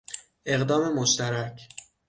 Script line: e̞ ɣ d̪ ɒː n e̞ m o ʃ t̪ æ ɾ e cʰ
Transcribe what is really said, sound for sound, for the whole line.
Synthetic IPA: e̞ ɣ d̪ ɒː m e̞ m o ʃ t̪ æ ɾ æ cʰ